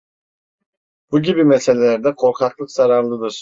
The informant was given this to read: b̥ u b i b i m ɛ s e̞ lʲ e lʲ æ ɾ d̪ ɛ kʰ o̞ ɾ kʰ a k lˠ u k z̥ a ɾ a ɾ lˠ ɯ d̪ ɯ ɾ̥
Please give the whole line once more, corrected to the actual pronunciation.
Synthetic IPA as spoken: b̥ u ɟ i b i m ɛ s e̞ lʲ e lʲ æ ɾ d̪ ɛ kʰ o̞ ɾ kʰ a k lˠ ɯ k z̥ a ɾ a ɾ lˠ ɯ d̪ ɯ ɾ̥